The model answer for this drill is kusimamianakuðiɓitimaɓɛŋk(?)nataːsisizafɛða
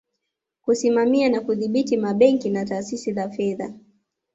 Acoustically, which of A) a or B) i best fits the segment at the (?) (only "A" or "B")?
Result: B